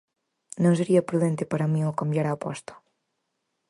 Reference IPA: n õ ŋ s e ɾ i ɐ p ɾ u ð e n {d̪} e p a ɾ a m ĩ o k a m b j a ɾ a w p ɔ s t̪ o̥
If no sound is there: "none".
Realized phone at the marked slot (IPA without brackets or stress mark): t̪